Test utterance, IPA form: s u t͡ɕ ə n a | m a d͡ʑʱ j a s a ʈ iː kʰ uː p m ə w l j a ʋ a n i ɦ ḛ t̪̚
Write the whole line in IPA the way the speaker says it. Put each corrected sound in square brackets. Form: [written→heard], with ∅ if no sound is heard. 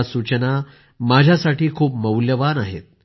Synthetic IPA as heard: s u t͡ɕ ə n a | m a d͡ʑʱ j a s a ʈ iː kʰ uː p m ə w l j [a→ə] ʋ a n [i→a] ɦ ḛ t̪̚